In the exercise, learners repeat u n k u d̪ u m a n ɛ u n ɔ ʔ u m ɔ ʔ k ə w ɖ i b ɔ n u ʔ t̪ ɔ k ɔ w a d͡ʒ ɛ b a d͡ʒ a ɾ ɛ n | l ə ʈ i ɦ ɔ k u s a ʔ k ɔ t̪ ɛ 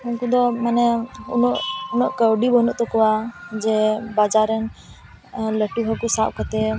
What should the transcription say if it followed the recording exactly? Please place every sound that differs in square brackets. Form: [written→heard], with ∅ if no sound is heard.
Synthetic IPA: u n k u d̪ [u→ɔ] m a n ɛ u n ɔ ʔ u [m→n] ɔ ʔ k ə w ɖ i b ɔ n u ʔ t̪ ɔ k ɔ w a d͡ʒ ɛ b a d͡ʒ a ɾ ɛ n | l ə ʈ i ɦ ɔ k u s a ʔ k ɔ t̪ ɛ